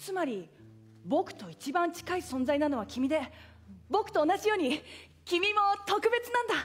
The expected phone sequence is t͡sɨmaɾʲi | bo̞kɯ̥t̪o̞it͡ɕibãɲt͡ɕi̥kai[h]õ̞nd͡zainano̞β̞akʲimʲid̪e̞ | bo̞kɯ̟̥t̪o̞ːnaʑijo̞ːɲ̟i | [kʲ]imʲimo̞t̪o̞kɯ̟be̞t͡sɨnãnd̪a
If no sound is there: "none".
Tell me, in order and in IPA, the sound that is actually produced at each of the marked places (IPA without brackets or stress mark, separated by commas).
s, kʲ